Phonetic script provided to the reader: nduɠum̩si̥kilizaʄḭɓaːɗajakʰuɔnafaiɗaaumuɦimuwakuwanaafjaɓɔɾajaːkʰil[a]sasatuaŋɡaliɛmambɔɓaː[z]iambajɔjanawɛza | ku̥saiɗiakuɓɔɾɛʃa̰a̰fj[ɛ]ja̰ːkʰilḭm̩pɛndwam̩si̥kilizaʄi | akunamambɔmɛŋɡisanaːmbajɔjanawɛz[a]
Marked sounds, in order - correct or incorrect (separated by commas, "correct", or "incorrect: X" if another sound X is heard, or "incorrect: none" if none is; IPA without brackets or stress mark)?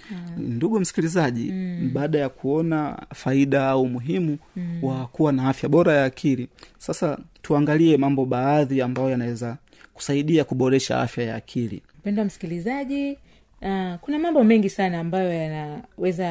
incorrect: i, incorrect: ð, incorrect: a, correct